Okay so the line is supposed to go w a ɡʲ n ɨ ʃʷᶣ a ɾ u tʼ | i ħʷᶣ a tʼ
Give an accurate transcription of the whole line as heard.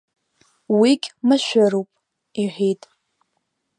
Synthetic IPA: w i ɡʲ m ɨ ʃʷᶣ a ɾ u pʼ | i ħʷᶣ i tʼ